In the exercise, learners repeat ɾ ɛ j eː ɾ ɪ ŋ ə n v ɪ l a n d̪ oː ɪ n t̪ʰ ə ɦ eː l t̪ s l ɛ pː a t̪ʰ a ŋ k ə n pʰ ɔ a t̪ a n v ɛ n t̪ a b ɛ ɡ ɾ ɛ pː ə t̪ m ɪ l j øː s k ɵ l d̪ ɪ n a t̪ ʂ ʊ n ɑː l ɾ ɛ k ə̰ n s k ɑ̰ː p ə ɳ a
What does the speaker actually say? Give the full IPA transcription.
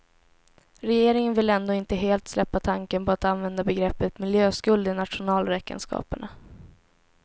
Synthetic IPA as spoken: ɾ ɛ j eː ɾ ɪ ŋ ə n v ɪ l ɛ n d̪ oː ɪ n t̪ ə ɦ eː l t̪ s l ɛ pː a t̪ʰ a ŋ k ə n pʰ ɔ a t̪ a n v ɛ n d̪ a b ɛ ɡ ɾ ɛ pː ə t̪ m ɪ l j øː s k ɵ l d̪ ɪ n a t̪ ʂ ʊ n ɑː l ɾ ɛ k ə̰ n s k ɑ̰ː p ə ɳ a